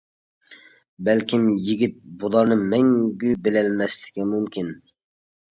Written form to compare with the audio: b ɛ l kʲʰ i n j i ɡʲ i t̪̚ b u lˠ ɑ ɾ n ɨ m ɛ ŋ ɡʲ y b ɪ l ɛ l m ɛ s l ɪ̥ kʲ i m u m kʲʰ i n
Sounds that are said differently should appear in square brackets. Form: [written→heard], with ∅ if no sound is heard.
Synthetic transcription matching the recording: b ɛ l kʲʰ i [n→m] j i ɡʲ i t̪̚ b u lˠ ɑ ɾ n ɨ m ɛ ŋ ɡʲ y b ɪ l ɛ l m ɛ s l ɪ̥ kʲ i m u m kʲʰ i n